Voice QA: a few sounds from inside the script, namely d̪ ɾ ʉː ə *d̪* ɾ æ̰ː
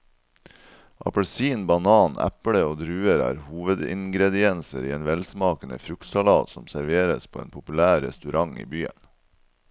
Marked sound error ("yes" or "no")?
yes